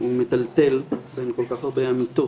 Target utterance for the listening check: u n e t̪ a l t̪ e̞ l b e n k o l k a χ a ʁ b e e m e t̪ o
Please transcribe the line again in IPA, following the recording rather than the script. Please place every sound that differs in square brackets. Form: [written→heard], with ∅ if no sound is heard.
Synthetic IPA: u [n→m] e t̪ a l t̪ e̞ l b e n k o l k a χ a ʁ b e [e→a] m [e→i] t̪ o